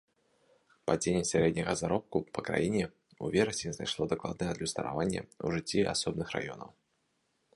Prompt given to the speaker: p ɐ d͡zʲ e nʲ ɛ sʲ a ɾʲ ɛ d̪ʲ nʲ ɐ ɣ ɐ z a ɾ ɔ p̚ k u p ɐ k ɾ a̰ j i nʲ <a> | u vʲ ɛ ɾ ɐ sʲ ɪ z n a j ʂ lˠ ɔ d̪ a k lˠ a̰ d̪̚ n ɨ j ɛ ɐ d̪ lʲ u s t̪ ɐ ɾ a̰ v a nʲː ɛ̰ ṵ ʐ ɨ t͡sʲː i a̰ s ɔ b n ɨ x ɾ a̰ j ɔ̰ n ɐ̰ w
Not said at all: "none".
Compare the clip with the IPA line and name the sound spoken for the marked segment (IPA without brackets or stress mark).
ɛ